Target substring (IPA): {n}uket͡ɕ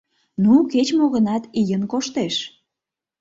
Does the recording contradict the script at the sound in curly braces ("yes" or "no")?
no